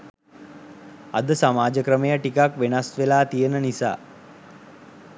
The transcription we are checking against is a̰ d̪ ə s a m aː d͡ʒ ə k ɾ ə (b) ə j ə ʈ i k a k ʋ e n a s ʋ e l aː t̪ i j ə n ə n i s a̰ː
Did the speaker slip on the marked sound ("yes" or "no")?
yes